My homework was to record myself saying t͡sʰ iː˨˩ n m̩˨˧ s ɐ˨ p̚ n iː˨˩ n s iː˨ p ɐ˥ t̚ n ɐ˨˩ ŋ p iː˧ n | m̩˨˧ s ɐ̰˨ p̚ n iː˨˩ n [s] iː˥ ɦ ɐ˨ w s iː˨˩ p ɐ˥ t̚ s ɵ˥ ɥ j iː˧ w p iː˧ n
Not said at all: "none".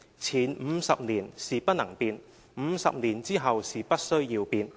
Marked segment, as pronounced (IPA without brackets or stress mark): t͡s